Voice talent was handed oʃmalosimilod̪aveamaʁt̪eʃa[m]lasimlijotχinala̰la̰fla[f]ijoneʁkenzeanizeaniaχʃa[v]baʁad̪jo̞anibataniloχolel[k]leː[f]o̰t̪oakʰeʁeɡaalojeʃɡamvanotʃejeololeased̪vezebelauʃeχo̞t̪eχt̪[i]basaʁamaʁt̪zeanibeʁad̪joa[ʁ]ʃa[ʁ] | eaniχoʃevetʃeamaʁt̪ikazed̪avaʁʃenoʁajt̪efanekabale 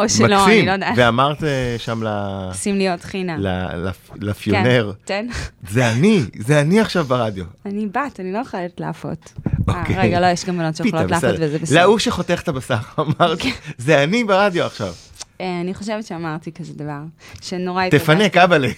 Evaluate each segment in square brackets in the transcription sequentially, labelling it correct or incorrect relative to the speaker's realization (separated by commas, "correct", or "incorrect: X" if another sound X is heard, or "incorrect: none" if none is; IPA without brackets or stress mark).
correct, correct, correct, incorrect: t, correct, incorrect: a, incorrect: χ, incorrect: v